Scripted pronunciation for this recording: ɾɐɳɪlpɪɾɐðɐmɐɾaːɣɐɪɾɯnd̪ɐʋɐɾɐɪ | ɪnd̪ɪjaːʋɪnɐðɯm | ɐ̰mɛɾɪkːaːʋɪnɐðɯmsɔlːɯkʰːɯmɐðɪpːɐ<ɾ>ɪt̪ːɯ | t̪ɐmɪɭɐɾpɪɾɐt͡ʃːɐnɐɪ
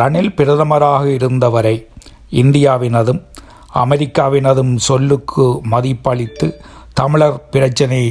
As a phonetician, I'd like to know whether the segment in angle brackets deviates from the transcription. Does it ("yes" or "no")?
yes